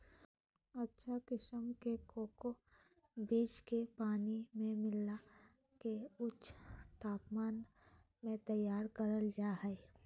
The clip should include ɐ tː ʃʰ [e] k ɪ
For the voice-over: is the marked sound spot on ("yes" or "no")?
no